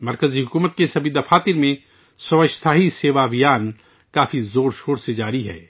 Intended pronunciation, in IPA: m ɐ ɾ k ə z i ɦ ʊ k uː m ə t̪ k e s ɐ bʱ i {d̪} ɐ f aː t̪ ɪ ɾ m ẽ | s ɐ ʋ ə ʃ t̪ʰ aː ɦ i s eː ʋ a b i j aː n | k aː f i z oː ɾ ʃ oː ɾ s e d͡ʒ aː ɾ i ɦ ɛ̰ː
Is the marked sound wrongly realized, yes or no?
no